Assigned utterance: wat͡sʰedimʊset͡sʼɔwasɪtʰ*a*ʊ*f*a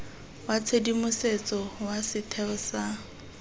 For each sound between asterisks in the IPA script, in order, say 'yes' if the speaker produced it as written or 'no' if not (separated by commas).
no, no